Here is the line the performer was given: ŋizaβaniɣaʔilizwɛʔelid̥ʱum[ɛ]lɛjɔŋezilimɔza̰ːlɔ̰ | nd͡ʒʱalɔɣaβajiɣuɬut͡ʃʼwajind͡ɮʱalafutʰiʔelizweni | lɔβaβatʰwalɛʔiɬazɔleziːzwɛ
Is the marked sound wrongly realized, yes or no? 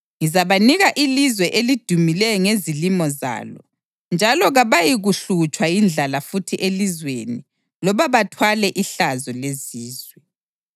yes